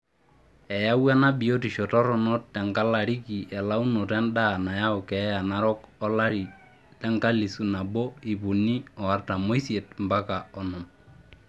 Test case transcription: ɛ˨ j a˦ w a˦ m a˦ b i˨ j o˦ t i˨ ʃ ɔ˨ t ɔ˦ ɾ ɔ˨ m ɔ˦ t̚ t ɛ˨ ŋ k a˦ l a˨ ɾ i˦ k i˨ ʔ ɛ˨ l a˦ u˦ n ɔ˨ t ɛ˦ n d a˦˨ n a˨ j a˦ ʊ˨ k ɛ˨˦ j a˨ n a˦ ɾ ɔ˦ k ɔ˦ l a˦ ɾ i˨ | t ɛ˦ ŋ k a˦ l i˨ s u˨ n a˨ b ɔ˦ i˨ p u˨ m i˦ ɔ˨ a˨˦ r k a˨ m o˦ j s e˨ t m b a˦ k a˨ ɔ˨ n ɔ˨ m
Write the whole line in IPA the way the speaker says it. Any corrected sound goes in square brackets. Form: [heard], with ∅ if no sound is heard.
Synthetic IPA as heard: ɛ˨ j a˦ w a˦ [n] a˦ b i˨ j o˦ t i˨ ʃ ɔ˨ t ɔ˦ ɾ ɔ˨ [n] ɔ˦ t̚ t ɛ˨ ŋ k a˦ l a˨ ɾ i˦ k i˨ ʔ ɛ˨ l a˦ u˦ n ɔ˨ t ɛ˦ n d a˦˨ n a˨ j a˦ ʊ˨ k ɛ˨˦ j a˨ n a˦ ɾ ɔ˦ k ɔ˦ l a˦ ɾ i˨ | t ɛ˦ ŋ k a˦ l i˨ s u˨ n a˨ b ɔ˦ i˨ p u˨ [n] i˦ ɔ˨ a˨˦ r [t] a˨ m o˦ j s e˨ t m b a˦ k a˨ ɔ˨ n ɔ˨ m